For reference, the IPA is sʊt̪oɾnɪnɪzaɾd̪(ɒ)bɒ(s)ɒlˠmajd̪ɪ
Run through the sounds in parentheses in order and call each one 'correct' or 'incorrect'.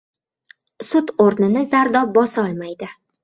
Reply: correct, correct

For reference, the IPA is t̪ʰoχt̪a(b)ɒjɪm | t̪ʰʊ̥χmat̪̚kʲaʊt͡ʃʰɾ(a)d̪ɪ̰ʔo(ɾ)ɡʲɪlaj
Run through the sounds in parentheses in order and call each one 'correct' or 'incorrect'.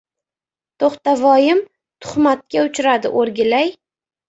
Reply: incorrect: v, correct, correct

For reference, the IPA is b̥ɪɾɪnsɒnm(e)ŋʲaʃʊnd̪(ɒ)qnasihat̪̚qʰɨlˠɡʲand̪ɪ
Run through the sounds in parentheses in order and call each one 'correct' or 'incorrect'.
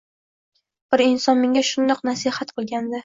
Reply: correct, correct

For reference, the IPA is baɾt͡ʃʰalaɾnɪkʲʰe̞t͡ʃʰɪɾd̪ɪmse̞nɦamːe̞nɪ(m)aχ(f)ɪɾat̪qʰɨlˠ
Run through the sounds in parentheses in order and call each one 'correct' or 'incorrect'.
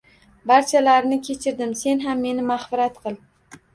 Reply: correct, correct

